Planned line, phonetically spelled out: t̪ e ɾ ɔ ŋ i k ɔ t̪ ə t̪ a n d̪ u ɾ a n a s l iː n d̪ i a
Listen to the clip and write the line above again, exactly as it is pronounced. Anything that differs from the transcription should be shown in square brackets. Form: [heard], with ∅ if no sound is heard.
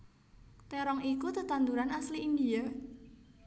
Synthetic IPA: t̪ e ɾ ɔ ŋ i k [u] t̪ ə t̪ a n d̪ u ɾ a n a s l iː n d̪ i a